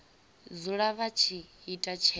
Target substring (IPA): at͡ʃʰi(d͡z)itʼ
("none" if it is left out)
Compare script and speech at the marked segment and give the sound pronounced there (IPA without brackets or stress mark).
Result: none